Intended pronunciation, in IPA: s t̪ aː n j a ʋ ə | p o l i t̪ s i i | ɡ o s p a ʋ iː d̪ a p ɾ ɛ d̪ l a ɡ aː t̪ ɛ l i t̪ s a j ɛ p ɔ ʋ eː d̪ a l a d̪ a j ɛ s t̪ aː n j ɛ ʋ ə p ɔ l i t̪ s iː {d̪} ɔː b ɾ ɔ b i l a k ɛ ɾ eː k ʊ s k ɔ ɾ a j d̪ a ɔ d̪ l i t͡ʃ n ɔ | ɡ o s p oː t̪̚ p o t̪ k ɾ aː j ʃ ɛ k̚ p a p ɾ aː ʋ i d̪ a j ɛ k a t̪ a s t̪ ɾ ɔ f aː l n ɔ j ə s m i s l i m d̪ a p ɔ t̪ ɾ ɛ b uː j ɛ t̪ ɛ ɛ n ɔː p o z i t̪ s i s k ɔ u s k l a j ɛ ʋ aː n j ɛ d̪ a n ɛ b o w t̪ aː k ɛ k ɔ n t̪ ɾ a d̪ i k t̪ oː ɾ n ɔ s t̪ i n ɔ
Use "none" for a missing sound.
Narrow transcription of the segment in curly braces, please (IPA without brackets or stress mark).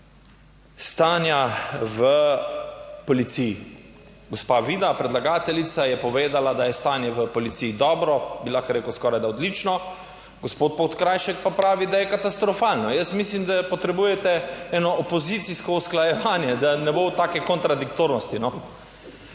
d̪